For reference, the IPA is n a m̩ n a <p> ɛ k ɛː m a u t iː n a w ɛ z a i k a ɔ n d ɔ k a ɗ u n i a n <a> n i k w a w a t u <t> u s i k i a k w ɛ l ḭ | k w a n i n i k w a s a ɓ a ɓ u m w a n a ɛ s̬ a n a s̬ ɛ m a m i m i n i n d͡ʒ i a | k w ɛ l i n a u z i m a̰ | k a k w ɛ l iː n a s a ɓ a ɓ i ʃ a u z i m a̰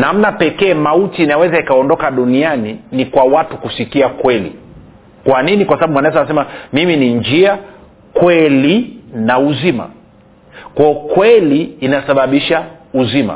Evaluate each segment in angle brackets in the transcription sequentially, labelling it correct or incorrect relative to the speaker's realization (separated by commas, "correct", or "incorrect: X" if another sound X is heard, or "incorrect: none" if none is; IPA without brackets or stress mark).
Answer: correct, incorrect: i, incorrect: k